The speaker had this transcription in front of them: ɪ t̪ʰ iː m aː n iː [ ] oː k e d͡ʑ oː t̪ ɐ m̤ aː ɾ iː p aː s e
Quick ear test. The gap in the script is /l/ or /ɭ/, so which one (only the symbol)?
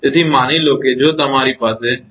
l